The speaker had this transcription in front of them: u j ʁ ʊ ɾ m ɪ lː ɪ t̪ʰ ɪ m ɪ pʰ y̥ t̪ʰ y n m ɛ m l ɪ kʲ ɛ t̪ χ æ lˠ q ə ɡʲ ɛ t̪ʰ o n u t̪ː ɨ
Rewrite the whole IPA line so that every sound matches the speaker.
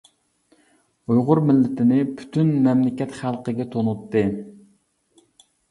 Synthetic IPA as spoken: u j ʁ ʊ ɾ m ɪ lː ɪ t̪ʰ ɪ n ɪ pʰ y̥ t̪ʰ y n m ɛ m l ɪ kʲ ɛ t̪ χ æ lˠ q ə ɡʲ ɛ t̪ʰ o n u t̪ː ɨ